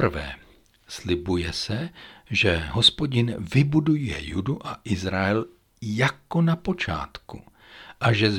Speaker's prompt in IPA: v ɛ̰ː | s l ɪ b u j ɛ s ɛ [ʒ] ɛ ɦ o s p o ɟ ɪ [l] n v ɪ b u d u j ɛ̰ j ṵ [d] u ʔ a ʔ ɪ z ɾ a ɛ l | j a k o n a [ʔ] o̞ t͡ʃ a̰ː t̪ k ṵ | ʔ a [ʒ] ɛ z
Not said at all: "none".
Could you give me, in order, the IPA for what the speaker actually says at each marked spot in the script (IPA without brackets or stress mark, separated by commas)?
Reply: ʒ, none, d, p, ʒ